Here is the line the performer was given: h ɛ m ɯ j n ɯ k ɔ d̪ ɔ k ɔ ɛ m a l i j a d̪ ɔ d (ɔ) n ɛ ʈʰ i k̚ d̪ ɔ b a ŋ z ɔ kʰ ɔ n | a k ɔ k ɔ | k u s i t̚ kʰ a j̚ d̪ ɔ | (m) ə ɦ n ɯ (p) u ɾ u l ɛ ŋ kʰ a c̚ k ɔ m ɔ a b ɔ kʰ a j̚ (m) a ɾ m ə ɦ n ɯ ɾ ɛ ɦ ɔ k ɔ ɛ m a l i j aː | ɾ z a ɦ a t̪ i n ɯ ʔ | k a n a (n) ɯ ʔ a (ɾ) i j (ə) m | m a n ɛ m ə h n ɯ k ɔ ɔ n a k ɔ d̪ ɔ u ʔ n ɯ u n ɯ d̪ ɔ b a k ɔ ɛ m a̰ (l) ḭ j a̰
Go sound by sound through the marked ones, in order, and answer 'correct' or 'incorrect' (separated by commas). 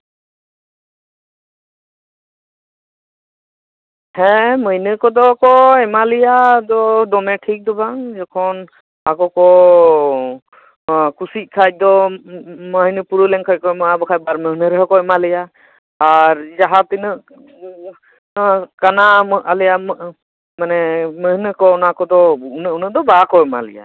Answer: correct, correct, correct, incorrect, incorrect, incorrect, incorrect, correct